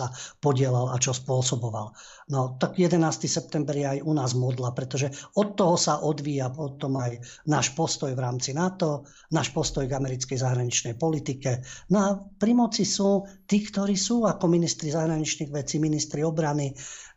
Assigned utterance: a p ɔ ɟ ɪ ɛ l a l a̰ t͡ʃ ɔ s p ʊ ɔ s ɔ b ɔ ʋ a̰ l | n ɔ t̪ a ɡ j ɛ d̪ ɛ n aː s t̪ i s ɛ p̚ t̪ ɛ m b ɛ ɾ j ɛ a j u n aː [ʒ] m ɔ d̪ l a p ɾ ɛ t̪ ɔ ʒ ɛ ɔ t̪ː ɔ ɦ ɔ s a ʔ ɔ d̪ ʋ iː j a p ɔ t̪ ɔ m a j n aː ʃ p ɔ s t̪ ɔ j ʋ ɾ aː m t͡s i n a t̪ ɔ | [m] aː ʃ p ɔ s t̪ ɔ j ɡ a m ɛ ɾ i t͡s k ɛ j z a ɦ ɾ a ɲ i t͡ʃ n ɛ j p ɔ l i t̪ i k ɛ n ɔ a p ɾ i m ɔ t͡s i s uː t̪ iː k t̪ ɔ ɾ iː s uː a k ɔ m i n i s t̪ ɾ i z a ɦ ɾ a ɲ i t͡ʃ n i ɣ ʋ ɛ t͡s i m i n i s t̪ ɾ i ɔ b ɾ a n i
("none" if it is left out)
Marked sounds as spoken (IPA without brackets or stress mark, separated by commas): z, n